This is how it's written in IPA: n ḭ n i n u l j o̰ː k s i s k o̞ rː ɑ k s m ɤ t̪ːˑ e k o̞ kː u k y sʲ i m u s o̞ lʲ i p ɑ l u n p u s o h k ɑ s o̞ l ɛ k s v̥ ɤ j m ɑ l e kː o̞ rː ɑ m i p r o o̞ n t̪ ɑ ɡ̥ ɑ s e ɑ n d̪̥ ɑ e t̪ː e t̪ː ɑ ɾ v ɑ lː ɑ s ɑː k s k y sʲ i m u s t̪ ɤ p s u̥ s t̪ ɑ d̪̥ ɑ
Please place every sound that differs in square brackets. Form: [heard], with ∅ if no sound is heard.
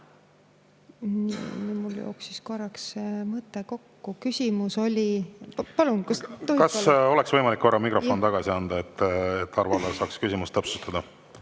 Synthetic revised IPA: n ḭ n i [m] u l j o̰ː k s i s k o̞ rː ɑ k s m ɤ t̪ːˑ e k o̞ kː u k y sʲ i m u s o̞ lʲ i p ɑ l u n [k] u s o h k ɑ s o̞ l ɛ k s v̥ ɤ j m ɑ l [i] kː o̞ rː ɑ m i [k] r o o̞ n t̪ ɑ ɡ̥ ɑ s [i] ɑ n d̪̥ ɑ e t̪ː e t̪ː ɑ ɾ v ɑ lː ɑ s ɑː k s k y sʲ i m u s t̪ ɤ p s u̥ s t̪ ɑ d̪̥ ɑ

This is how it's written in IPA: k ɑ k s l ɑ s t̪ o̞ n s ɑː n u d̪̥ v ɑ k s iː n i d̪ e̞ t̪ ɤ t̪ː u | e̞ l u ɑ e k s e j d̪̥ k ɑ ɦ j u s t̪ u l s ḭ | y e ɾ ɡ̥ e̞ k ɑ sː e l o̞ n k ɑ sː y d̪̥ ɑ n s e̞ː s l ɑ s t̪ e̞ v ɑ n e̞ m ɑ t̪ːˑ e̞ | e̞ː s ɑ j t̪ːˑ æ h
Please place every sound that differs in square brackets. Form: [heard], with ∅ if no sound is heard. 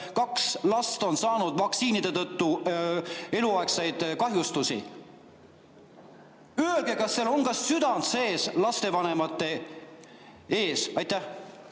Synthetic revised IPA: k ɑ k s l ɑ s t̪ o̞ n s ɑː n u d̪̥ v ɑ k s iː n i d̪ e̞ t̪ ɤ t̪ː u | e̞ l u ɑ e k s e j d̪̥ k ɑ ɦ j u s t̪ u [∅] s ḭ | y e [l] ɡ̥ e̞ k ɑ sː e l o̞ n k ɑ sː y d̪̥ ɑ n s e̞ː s l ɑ s t̪ e̞ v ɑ n e̞ m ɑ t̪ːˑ e̞ | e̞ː s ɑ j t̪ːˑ æ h

